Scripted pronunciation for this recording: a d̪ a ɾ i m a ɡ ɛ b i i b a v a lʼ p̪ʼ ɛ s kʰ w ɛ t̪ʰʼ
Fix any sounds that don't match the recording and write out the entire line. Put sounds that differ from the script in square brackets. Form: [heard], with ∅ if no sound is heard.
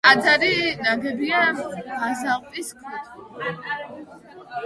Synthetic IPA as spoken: a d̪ a ɾ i [n] a ɡ ɛ b i [a] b a [z] a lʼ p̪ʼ [i] s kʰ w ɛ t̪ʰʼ